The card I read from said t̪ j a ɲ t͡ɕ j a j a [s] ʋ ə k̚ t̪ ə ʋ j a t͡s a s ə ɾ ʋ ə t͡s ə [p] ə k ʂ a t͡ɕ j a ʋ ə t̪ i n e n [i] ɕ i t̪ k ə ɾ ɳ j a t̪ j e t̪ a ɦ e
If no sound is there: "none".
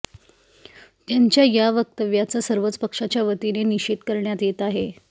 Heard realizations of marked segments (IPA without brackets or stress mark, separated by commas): none, p, i